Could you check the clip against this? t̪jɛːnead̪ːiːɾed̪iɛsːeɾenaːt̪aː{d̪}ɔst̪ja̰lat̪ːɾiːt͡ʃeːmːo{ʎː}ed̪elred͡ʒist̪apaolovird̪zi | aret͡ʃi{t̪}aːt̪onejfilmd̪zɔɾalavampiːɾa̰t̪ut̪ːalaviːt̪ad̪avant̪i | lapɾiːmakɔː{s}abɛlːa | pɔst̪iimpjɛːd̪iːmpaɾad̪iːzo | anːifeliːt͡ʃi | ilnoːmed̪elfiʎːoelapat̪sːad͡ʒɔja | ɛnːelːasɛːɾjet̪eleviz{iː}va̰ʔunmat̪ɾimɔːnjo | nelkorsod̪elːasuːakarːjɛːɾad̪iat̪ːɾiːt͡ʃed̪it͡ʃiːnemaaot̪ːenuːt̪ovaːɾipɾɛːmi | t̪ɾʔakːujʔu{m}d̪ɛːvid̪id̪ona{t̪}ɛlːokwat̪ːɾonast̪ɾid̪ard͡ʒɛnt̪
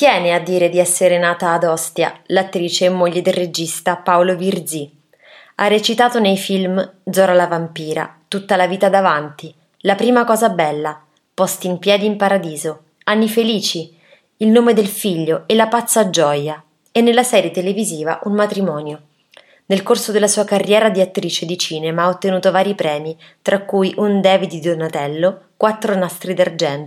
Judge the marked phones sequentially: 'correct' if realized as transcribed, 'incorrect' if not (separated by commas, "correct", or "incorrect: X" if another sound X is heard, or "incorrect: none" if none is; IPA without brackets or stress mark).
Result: correct, correct, correct, incorrect: z, correct, incorrect: n, correct